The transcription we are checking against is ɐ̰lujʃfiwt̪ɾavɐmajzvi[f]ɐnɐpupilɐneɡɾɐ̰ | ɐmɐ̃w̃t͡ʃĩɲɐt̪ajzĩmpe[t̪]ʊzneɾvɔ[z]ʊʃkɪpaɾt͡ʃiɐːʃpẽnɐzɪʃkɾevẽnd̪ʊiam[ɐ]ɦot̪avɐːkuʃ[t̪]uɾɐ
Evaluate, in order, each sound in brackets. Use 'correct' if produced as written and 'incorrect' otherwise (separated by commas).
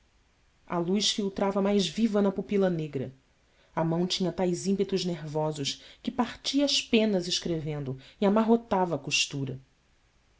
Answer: incorrect, correct, correct, incorrect, correct